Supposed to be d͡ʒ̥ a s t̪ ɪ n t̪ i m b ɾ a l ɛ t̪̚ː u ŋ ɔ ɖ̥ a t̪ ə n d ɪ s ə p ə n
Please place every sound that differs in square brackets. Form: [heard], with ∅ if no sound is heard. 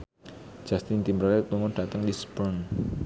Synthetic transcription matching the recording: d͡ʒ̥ a s t̪ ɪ n t̪ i m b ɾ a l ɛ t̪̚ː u ŋ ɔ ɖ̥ a t̪ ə [ŋ] d [i] s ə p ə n